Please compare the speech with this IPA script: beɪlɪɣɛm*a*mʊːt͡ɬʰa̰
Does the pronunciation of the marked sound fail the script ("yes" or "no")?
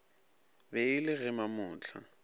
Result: no